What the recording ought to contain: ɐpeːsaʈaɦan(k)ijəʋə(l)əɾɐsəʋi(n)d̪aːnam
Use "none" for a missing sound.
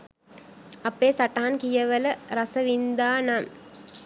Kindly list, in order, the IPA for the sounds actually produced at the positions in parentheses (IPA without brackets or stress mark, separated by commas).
k, l, n